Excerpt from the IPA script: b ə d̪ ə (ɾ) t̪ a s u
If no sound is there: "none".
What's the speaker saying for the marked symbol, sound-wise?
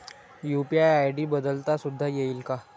l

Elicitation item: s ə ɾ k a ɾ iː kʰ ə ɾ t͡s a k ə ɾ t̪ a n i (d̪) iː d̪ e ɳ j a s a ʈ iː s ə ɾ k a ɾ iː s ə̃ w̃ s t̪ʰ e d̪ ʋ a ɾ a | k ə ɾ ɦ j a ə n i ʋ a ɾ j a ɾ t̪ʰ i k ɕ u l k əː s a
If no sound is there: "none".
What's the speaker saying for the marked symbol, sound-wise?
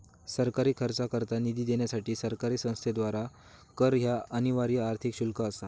d̪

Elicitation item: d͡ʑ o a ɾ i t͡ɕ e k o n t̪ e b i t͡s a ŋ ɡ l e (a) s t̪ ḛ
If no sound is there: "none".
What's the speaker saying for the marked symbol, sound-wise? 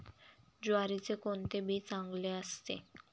a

